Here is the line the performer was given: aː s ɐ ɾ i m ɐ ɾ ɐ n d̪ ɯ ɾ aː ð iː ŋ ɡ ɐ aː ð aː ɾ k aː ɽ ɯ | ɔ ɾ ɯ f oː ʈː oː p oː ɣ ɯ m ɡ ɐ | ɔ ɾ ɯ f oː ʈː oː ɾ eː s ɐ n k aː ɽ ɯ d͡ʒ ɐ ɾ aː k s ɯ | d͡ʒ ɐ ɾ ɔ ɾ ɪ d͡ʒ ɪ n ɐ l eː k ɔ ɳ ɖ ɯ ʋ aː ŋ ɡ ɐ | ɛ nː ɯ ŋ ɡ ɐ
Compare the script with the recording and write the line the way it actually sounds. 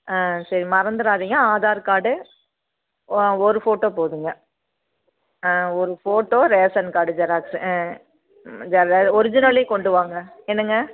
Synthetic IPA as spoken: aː s ɐ ɾ i m ɐ ɾ ɐ n d̪ ɯ ɾ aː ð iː ŋ ɡ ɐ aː ð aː ɾ k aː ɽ ɯ | ɔ ɾ ɯ f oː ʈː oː p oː ð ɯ ŋ ɡ ɐ | ɔ ɾ ɯ f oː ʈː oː ɾ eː s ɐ n k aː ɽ ɯ d͡ʒ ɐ ɾ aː k s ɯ | d͡ʒ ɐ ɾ ɔ ɾ ɪ d͡ʒ ɪ n ɐ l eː k ɔ ɳ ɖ ɯ ʋ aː ŋ ɡ ɐ | ɛ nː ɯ ŋ ɡ ɐ

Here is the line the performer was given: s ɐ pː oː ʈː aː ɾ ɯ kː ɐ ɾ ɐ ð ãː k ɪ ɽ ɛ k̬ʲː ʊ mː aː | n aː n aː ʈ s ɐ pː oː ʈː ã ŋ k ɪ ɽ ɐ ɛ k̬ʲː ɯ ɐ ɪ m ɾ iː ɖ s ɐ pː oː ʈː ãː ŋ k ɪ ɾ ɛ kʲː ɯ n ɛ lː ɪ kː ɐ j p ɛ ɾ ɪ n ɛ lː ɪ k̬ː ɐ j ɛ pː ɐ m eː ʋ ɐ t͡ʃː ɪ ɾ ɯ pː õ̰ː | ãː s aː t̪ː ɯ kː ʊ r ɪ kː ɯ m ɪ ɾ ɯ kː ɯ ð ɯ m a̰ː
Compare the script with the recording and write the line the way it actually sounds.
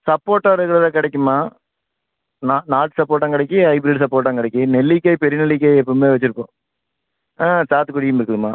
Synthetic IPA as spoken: s ɐ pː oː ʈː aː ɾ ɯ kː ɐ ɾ ɐ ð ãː k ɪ ɽ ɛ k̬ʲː ɯ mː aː | n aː n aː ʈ s ɐ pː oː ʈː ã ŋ k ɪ ɽ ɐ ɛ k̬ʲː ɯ ɐ ɪ b ɾ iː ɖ s ɐ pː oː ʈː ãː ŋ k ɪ ɽ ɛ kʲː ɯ n ɛ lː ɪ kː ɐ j p ɛ ɾ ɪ n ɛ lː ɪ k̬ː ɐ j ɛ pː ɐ m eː ʋ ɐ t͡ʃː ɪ ɾ ɯ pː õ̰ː | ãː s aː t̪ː ɯ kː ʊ ɽ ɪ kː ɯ m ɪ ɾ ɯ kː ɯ ð ɯ m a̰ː

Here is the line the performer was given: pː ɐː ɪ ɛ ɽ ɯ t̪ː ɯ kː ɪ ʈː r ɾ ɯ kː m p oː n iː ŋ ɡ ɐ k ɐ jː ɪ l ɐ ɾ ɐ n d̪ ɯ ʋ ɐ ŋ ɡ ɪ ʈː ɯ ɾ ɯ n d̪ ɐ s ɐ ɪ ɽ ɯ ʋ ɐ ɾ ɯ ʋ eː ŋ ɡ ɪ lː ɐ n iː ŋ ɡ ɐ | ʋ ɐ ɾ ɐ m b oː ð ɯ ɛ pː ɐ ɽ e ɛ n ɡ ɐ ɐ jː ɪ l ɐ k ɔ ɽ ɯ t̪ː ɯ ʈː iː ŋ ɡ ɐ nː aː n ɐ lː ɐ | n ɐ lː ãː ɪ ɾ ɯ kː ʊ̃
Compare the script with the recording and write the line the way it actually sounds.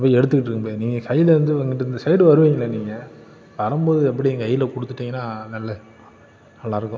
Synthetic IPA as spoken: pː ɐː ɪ ɛ ɽ ɯ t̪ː ɯ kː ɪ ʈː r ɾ ɯ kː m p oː n iː ŋ ɡ ɐ k ɐ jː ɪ l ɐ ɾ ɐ n d̪ ɯ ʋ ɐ ŋ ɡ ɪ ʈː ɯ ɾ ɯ n d̪ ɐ s ɐ ɪ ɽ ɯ ʋ ɐ ɾ ɯ ʋ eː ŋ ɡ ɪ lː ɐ n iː ŋ ɡ ɐ | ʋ ɐ ɾ ɐ m b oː ð ɯ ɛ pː ɐ ɽ i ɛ ŋ ɡ ɐ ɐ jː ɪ l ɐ k ɔ ɽ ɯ t̪ː ɯ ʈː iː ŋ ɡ ɐ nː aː n ɐ lː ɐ | n ɐ lː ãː ɪ ɾ ɯ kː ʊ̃

